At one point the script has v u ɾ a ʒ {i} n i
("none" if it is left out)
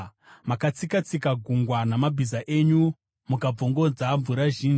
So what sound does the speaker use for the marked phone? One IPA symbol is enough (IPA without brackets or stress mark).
iː